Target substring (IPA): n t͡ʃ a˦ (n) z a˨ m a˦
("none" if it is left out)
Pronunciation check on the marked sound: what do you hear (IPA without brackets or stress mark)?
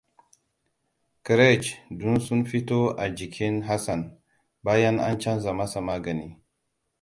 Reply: n